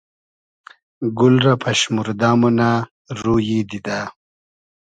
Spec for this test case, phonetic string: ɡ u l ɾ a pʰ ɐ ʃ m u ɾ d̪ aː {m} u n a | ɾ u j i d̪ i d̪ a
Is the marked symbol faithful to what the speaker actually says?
yes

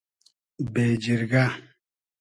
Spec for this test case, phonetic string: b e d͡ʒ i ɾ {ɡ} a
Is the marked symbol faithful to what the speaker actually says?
yes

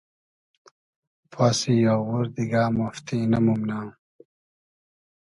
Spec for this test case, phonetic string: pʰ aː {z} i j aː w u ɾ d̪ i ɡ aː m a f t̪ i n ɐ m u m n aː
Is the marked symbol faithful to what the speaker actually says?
no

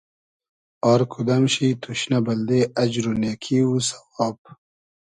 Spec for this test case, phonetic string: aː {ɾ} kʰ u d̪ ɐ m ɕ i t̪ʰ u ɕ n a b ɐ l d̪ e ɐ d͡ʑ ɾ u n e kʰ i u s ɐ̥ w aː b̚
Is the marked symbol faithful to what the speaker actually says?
yes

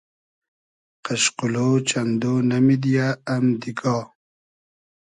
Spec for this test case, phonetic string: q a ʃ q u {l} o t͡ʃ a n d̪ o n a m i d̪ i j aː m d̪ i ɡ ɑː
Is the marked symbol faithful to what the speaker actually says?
yes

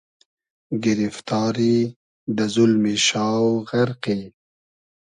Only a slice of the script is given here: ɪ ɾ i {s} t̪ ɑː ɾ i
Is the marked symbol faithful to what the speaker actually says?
no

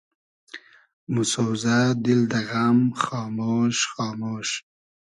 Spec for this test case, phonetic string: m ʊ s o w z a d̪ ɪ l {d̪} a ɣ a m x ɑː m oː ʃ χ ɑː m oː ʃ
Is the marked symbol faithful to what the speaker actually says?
yes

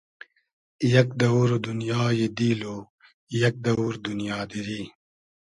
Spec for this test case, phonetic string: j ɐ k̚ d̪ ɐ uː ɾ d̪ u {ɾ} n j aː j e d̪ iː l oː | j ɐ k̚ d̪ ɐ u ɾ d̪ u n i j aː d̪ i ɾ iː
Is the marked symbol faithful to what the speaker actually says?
no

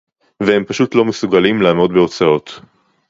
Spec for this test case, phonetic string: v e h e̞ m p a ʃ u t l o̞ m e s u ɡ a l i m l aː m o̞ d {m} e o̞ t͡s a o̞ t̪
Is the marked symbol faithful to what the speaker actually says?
no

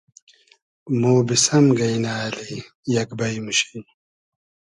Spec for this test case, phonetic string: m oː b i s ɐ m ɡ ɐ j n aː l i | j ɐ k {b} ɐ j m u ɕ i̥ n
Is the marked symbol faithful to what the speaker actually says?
yes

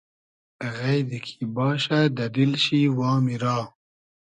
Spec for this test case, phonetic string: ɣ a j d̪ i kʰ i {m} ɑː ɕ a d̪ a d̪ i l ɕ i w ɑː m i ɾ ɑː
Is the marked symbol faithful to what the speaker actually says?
no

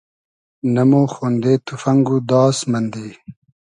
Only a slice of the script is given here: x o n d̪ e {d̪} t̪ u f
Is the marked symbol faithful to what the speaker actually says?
no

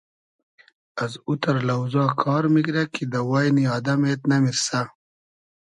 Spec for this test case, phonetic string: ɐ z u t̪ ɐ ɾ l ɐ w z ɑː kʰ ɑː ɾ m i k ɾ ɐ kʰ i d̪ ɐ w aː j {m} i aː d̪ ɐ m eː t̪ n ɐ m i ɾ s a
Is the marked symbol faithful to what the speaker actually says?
no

